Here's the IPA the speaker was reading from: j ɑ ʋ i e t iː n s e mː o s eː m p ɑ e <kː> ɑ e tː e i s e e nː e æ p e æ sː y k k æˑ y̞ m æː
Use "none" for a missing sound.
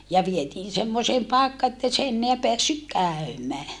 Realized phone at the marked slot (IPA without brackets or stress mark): kː